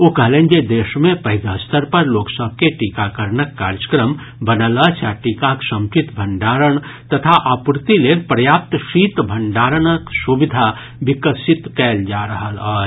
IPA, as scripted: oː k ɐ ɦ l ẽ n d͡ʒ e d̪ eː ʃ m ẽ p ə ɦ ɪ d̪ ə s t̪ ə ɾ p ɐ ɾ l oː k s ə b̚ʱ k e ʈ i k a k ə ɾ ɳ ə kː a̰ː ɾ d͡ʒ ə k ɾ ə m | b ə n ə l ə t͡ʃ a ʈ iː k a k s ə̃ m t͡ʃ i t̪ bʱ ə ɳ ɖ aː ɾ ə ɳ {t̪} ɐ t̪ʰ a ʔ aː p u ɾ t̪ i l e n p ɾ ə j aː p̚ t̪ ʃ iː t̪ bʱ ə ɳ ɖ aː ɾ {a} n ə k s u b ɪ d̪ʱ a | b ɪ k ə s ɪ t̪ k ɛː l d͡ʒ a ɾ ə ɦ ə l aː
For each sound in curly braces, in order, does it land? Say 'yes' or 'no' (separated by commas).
yes, no